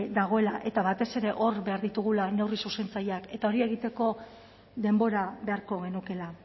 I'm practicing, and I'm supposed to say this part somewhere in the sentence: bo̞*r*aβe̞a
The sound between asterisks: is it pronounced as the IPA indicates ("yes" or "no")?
no